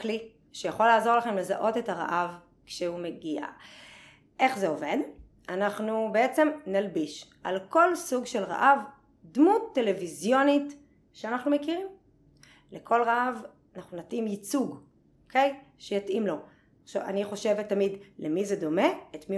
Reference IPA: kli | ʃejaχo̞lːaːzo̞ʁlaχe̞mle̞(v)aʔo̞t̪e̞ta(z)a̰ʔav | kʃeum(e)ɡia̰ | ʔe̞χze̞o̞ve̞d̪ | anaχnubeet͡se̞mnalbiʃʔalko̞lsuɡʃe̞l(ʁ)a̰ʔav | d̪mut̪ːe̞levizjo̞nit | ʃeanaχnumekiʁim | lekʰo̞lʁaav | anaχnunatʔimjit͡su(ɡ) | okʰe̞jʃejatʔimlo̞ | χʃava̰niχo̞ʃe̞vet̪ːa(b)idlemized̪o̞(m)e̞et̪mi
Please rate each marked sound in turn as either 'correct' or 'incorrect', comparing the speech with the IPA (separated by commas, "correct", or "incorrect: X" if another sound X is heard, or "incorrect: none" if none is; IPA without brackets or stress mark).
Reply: incorrect: z, incorrect: ʁ, correct, correct, correct, incorrect: m, correct